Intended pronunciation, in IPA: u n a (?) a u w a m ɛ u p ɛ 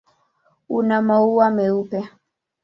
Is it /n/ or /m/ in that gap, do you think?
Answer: m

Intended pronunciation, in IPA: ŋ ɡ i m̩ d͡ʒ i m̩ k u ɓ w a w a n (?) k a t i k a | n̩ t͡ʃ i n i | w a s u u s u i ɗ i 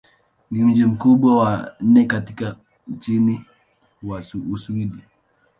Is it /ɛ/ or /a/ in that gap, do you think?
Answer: ɛ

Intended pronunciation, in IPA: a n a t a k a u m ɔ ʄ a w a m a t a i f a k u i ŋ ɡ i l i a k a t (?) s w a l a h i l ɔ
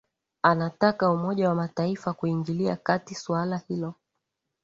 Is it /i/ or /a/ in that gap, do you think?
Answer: i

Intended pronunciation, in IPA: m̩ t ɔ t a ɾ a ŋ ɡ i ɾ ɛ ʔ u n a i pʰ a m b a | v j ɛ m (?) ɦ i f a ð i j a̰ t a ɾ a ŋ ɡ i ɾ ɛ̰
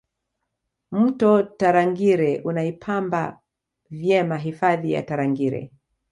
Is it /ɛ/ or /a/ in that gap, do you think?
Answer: a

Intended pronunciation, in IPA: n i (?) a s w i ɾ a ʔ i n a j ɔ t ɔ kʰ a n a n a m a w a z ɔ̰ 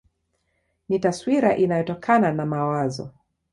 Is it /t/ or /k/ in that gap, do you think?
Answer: t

